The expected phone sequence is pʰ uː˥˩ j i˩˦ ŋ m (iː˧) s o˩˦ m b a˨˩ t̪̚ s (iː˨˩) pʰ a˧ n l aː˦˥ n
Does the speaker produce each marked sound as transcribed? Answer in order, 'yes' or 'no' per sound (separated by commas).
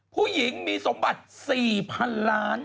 yes, yes